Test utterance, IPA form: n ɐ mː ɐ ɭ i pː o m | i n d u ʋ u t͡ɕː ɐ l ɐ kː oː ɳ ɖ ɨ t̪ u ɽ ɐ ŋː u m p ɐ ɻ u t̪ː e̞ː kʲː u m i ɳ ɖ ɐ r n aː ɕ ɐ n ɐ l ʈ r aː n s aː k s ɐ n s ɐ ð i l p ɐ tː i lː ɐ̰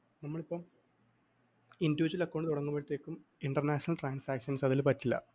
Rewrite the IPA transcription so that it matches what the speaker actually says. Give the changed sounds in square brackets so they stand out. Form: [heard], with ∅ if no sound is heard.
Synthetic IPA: n ɐ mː ɐ ɭ i pː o m | i n d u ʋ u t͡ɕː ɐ l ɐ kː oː ɳ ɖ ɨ t̪ u ɽ ɐ ŋː u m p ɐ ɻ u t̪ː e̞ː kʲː u m i ɳ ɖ ɐ r n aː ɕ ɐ n ɐ l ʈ r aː n s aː k [ʂ] ɐ n s ɐ ð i l p ɐ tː i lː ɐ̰